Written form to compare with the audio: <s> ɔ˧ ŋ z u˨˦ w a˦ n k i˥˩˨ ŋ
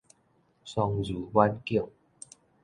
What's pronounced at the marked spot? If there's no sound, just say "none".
s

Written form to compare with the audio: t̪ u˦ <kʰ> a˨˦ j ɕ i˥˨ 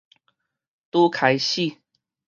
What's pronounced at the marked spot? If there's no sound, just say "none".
kʰ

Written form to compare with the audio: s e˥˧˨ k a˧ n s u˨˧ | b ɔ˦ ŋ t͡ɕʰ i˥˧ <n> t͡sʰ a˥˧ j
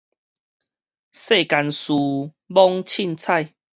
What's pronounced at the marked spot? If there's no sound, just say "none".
n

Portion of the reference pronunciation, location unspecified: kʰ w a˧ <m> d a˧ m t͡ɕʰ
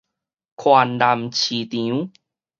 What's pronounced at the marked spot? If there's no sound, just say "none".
n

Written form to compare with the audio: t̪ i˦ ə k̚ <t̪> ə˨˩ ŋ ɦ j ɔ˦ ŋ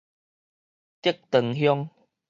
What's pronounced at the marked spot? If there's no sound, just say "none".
t̪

